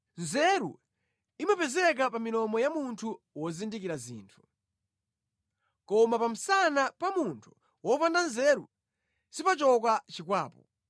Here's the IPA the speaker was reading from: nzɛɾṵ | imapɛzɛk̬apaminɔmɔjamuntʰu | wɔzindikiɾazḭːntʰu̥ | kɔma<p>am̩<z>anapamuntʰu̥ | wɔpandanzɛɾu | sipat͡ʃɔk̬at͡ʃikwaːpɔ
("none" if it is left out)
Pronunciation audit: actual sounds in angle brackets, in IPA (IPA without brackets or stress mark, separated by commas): p, s